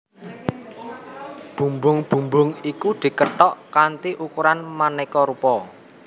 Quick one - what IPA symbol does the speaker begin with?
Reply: b̥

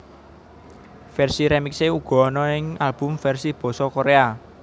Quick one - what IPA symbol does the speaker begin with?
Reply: f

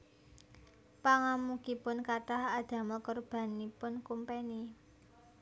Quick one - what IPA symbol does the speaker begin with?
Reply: p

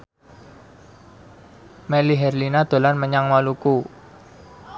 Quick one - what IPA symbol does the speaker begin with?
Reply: m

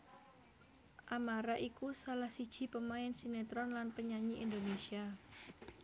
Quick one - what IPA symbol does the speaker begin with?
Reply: ʔ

